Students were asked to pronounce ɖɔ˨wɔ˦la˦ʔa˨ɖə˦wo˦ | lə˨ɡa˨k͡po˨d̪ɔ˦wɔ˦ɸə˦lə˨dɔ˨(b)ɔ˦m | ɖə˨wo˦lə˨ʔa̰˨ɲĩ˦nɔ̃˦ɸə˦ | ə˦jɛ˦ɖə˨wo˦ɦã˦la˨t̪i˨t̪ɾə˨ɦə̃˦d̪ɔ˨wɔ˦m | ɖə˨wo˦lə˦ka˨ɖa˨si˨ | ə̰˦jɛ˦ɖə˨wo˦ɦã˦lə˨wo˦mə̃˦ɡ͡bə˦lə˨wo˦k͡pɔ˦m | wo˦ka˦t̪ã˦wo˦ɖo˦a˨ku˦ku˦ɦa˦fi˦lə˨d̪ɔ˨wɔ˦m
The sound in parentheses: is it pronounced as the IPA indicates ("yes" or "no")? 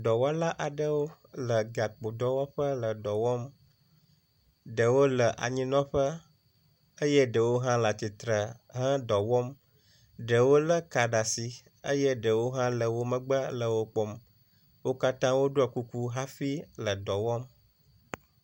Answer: no